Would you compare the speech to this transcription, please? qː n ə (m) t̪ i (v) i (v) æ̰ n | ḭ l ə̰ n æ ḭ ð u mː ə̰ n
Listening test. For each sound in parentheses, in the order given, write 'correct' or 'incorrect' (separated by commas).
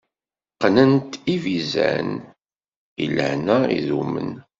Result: incorrect, correct, incorrect